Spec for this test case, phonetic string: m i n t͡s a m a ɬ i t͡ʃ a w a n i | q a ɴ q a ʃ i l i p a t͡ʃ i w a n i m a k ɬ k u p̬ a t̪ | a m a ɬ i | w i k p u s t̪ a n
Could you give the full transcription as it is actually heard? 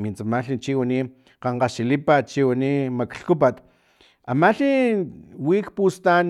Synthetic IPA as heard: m i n t͡s a m a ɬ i t͡ʃ i w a n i | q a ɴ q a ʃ i l i p a t͡ʃ i w a n i m a k ɬ k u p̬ a t̪ | a m a ɬ i | w i k p u s t̪ a n